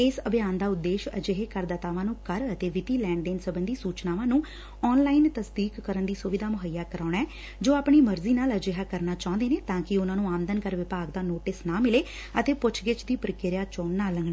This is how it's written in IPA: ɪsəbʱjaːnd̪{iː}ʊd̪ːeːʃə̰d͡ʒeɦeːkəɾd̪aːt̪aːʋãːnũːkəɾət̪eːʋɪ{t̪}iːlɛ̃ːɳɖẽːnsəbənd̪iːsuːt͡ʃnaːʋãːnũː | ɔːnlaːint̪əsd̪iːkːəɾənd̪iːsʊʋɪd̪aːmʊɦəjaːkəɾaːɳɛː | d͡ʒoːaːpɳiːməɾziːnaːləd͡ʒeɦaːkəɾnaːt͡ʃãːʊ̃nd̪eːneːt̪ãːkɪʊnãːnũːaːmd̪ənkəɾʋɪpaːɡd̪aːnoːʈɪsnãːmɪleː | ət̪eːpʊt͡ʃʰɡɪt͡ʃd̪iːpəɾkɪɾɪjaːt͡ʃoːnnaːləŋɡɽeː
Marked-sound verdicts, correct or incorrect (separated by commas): incorrect, correct